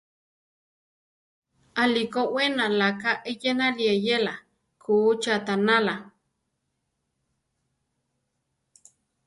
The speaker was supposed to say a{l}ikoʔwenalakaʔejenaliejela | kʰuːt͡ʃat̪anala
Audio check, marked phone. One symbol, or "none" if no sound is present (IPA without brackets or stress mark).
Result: l